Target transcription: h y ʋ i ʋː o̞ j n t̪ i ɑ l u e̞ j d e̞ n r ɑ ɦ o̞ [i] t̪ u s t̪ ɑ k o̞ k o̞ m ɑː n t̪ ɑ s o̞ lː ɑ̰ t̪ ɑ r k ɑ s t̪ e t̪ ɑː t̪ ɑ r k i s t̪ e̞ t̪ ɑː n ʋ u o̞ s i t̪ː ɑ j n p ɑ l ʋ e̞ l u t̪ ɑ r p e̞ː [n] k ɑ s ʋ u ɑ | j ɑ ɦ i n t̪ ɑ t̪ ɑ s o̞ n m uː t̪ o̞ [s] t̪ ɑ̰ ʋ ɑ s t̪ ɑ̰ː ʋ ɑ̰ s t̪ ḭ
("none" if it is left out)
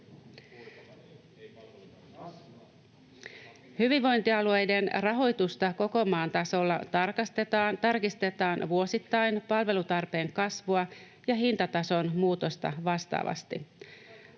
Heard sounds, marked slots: j, ŋ, s

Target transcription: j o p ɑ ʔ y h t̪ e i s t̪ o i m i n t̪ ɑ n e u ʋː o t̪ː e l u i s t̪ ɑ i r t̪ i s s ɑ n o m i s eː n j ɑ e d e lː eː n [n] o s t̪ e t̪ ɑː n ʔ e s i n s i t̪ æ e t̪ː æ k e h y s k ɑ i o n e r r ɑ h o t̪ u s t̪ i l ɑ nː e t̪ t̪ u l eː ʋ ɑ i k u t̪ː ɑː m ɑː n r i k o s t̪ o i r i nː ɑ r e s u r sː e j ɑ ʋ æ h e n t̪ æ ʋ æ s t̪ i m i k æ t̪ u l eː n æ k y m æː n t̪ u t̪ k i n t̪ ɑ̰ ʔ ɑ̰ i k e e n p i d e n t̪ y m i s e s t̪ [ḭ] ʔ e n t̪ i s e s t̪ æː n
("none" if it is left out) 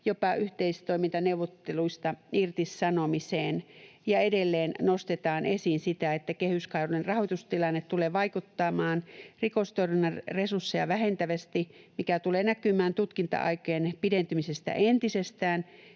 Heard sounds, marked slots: n, æ̰

